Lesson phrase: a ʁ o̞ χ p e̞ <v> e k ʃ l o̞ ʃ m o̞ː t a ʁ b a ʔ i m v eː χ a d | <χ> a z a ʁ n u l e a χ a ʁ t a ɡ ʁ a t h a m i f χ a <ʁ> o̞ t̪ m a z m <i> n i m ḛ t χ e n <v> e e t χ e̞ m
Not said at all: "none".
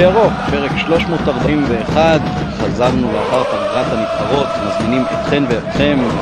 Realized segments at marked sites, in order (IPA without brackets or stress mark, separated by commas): ʁ, χ, ʁ, i, v